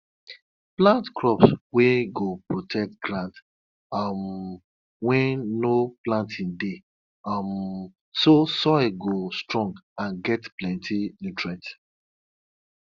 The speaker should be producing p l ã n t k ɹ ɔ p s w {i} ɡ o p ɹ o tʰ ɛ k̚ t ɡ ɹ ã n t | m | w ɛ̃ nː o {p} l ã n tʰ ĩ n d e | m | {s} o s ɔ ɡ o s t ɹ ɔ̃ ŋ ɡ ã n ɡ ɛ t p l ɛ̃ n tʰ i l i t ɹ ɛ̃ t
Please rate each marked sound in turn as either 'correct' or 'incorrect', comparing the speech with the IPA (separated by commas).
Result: incorrect, correct, correct